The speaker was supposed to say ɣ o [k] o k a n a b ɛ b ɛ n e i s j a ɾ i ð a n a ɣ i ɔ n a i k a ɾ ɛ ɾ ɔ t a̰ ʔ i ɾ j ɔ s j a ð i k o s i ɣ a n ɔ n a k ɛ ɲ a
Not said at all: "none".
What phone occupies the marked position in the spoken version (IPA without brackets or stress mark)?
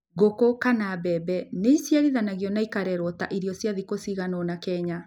k